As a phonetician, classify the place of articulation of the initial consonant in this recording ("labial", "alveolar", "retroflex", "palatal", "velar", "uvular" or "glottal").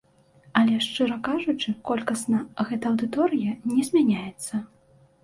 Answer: alveolar